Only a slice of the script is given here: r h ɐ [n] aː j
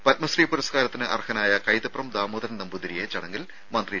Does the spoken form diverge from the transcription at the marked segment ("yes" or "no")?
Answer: no